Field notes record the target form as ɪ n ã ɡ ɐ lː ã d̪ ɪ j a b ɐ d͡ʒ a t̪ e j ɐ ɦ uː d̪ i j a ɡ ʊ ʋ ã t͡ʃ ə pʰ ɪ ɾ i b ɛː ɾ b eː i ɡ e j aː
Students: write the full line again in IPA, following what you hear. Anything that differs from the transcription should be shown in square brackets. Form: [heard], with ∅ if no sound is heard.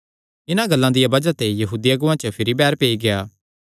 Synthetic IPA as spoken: ɪ n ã ɡ ɐ lː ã d̪ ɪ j a b ɐ d͡ʒ a t̪ e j ɐ ɦ uː d̪ i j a ɡ ʊ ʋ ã t͡ʃ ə pʰ ɪ ɾ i b ɛː ɾ [p] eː i ɡ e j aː